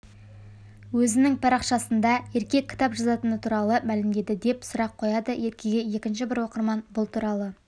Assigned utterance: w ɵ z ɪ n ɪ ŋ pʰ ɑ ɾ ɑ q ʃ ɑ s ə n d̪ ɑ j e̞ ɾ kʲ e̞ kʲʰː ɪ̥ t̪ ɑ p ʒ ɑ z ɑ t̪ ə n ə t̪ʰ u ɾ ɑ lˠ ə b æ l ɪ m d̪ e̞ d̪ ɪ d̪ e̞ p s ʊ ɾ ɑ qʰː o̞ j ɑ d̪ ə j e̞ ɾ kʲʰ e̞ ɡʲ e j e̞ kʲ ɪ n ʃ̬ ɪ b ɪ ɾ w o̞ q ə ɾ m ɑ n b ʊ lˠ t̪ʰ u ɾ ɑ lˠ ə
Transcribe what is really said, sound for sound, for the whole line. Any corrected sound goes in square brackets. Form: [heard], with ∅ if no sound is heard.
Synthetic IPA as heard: w ɵ z ɪ n ɪ ŋ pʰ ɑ ɾ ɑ q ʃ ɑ s ə n d̪ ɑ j e̞ ɾ kʲ e̞ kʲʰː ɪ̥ t̪ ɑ p ʒ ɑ z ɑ t̪ ə n ə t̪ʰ u ɾ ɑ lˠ ə [m] æ l ɪ m d̪ e̞ d̪ ɪ d̪ e̞ p s ʊ ɾ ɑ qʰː o̞ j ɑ d̪ ə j e̞ ɾ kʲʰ e̞ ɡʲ e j e̞ kʲ ɪ n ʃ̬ ɪ b ɪ ɾ w o̞ q ə ɾ m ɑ n b ʊ lˠ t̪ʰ u ɾ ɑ lˠ ə